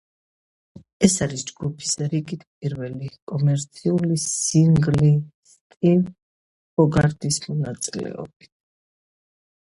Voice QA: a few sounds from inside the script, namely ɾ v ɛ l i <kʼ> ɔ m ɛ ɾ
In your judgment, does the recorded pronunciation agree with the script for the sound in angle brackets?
yes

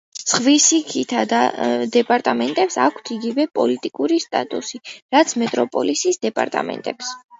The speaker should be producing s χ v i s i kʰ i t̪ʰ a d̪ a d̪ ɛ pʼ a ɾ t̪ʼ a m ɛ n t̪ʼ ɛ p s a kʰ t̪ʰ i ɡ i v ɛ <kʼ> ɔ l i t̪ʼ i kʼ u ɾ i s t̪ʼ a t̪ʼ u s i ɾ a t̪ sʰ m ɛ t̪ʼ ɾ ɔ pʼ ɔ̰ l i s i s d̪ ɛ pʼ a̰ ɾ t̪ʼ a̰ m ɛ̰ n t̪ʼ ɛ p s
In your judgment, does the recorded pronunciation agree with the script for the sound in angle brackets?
no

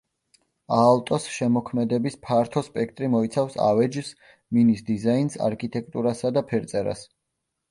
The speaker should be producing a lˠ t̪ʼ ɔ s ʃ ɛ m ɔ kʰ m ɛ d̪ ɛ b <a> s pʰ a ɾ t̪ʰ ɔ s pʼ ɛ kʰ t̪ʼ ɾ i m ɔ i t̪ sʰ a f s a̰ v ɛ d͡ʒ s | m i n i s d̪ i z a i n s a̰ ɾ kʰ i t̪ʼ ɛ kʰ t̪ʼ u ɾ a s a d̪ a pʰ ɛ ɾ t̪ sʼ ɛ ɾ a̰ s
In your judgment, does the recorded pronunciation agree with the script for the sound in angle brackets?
no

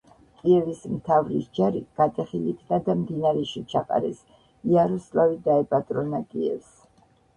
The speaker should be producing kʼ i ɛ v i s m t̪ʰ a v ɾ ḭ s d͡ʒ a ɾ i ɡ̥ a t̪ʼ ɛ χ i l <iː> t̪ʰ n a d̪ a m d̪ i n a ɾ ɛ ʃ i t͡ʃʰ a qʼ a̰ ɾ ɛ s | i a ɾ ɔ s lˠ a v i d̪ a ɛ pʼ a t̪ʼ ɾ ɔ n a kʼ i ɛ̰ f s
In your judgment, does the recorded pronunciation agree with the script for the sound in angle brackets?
no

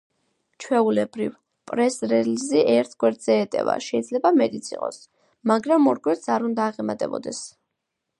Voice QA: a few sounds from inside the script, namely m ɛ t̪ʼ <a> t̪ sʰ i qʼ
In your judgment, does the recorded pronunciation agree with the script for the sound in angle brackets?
no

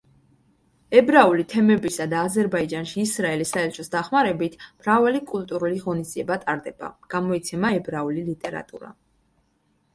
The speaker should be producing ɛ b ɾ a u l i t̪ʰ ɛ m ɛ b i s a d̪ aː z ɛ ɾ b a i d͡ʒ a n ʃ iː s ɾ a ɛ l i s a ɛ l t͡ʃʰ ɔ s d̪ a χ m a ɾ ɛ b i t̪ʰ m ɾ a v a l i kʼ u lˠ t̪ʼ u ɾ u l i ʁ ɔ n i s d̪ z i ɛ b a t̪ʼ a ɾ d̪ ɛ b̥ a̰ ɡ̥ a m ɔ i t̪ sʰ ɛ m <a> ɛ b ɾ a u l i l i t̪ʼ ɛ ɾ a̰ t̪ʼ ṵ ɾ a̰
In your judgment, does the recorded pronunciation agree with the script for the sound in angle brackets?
yes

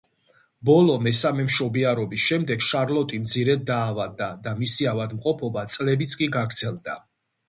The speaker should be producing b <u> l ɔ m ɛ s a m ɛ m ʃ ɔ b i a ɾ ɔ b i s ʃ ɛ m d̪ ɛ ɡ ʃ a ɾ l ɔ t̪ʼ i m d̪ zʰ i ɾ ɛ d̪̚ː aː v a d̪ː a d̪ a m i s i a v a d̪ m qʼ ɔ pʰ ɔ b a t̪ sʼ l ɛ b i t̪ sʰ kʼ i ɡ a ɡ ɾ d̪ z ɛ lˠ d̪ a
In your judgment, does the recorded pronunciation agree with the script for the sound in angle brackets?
no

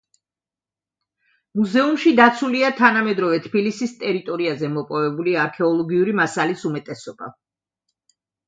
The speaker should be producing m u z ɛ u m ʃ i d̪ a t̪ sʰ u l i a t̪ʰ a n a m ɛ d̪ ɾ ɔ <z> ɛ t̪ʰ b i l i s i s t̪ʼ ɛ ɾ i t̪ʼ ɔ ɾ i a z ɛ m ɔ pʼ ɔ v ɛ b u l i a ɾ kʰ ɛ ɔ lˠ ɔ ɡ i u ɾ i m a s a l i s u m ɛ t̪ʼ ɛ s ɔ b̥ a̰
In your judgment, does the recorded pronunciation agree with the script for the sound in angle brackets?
no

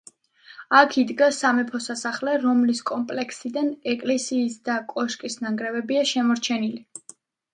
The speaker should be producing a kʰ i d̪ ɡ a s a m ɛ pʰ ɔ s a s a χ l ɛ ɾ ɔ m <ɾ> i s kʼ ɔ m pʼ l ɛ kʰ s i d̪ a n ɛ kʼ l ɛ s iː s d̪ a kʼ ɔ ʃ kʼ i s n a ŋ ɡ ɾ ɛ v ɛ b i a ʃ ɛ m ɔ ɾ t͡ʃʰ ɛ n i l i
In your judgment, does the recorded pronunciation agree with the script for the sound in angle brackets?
no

